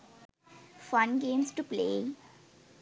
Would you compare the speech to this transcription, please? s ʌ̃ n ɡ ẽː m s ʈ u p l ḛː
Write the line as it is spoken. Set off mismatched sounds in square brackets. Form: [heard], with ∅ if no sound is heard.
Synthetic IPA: [f] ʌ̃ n ɡ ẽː m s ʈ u p l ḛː